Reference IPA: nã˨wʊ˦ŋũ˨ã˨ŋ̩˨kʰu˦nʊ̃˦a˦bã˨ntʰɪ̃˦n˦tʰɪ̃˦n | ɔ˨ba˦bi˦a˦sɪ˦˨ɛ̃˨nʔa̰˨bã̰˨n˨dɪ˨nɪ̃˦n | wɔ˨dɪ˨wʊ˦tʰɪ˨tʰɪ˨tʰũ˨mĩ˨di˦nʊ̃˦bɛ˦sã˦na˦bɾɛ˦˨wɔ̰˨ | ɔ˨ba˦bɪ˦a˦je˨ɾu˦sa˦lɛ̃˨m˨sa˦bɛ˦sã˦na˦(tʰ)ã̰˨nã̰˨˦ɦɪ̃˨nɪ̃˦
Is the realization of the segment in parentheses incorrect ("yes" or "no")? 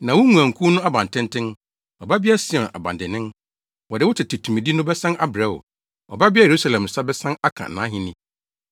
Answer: yes